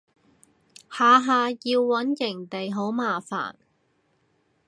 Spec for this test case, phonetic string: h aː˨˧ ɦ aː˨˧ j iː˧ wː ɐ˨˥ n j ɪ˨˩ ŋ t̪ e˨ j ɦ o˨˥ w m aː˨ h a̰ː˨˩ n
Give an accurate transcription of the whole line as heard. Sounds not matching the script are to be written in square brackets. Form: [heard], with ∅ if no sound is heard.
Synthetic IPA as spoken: h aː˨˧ ɦ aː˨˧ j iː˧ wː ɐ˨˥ n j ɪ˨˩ ŋ t̪ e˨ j ɦ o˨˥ w m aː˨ [f] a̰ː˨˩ n